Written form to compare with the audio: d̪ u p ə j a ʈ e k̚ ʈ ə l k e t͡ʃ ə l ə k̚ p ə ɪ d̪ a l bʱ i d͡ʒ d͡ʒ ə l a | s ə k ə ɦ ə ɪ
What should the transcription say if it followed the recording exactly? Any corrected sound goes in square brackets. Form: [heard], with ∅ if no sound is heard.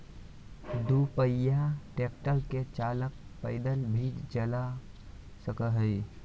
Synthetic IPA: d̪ u p ə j a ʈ e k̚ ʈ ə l k e t͡ʃ [a] l ə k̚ p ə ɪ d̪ [ə] l bʱ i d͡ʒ d͡ʒ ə l a | s ə k ə ɦ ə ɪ